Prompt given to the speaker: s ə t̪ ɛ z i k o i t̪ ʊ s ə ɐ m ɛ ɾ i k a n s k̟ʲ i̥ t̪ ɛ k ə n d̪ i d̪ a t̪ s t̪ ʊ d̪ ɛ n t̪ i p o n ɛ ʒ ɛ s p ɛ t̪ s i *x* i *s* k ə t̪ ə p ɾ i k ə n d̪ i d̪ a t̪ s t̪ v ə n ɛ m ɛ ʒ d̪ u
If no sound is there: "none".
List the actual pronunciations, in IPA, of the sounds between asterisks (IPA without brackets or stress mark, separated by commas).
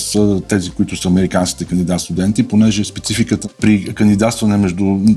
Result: f, none